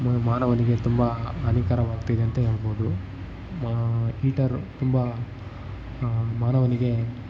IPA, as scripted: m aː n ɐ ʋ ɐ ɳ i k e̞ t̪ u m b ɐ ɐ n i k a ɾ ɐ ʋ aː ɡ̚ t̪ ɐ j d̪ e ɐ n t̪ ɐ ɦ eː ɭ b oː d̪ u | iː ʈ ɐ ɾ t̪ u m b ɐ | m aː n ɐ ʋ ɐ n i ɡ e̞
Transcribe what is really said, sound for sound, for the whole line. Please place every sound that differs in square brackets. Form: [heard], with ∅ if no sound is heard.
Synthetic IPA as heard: m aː n ɐ ʋ ɐ [n] i [ɡ] e̞ t̪ u m b ɐ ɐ n i k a ɾ ɐ ʋ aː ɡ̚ t̪ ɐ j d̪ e ɐ n t̪ ɐ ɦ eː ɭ b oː d̪ u | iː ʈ ɐ ɾ t̪ u m b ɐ | m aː n ɐ ʋ ɐ n i ɡ e̞